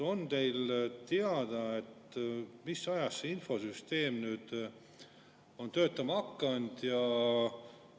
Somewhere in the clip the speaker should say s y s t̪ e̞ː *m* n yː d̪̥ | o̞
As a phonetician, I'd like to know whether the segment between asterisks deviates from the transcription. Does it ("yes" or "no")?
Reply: no